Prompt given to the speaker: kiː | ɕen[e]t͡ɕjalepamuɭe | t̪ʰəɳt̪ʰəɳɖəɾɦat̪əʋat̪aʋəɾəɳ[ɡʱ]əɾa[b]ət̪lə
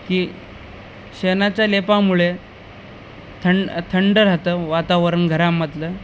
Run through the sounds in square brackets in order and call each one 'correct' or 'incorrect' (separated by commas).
incorrect, correct, incorrect